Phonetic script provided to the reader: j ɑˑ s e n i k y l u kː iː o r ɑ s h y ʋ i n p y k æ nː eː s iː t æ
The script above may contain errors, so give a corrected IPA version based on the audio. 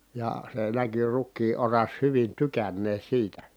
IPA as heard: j ɑˑ s e n æ k y r u kː iː o r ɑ s h y ʋ i n t y k æ nː eː s iː t æ

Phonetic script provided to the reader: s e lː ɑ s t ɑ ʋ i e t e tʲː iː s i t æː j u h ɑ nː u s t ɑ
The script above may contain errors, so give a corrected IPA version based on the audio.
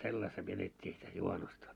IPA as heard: s e lː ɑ s t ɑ ʋ i e t e tʲː iː s i t æ j u h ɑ n u s t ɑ

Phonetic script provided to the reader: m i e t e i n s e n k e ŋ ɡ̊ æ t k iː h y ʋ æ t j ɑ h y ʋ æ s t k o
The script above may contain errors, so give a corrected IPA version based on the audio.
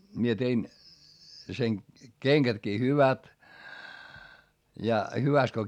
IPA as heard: m i e t e i n s e n k e ŋ ɡ̊ æ t k iː h y ʋ æ t j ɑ h y ʋ æ s t k o

